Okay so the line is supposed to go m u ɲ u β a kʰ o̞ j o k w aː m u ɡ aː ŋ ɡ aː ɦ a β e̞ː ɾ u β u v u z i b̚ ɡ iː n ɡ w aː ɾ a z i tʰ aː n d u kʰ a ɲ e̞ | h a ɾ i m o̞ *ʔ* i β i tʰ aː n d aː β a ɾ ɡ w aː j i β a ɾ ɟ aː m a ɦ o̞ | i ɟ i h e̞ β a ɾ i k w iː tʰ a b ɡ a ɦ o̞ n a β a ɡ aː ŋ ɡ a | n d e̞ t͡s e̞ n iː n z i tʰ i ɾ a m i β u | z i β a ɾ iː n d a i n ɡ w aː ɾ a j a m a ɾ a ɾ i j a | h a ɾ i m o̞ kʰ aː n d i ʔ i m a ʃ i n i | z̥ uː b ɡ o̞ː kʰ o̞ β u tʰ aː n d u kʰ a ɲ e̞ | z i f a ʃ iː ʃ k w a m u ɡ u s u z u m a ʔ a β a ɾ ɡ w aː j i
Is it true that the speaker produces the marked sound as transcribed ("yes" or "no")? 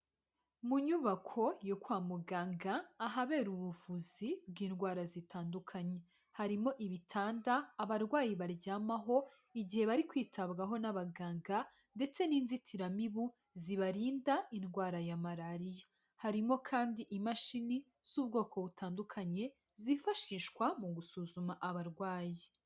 yes